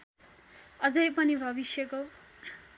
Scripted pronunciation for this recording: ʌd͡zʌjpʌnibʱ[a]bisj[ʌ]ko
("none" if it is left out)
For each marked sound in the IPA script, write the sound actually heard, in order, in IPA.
ʌ, ʌ

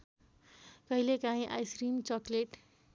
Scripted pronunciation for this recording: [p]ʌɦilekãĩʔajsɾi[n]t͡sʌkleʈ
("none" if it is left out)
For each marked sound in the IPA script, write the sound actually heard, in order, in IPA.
k, m

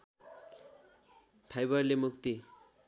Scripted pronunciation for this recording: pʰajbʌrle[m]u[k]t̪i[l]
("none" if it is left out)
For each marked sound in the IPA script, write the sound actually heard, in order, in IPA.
m, k, none

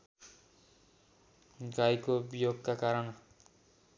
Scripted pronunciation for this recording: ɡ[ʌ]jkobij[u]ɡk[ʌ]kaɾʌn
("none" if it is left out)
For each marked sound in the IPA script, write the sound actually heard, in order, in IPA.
a, o, a

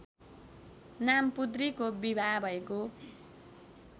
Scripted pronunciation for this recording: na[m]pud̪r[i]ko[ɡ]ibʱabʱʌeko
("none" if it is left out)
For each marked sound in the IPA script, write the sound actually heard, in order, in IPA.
m, i, b

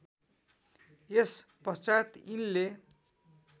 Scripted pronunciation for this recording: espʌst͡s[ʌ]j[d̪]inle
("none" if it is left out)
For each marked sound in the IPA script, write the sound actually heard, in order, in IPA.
a, t̪

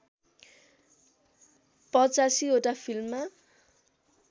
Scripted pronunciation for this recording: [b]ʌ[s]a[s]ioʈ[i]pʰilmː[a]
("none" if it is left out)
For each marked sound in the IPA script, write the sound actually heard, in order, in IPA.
p, t͡s, s, a, a

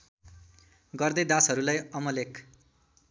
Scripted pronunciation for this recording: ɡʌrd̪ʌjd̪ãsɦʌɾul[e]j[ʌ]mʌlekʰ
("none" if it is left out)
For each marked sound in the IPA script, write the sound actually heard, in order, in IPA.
a, ʌ

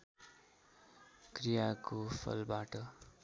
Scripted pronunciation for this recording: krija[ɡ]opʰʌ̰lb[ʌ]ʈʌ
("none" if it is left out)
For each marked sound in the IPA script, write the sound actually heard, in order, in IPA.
k, a

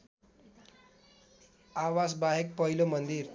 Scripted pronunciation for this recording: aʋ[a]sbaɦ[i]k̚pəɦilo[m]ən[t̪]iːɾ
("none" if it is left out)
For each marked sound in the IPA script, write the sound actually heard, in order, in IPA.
a, e, m, d̪

